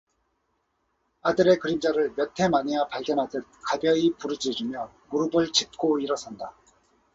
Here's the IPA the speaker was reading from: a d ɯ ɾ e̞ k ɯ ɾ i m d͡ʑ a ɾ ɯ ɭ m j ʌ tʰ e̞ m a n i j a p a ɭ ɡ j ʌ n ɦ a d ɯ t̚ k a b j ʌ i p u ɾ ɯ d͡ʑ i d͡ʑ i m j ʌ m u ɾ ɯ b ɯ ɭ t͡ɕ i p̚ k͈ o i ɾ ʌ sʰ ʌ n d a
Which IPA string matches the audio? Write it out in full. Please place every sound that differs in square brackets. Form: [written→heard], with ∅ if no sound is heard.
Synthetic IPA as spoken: a d ɯ ɾ e̞ k ɯ ɾ i m d͡ʑ a ɾ ɯ ɭ m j ʌ tʰ e̞ m a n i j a p a ɭ ɡ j ʌ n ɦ a d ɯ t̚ k a b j ʌ i p u ɾ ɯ d͡ʑ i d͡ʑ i m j ʌ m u ɾ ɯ b ɯ ɭ t͡ɕ i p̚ k͈ o i ɾ ʌ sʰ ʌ n d a